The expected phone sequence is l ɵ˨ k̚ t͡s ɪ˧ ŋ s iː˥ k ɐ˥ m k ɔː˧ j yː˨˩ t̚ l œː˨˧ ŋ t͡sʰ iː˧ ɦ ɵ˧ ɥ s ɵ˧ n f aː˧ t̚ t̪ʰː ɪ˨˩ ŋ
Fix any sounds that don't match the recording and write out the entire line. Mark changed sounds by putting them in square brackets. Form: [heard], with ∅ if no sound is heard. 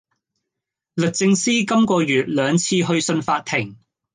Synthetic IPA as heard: l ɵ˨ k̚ t͡s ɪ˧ ŋ s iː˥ k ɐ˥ m k ɔː˧ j yː˨˩ t̚ l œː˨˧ ŋ t͡sʰ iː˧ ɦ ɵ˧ ɥ s ɵ˧ n f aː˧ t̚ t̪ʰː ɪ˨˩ ŋ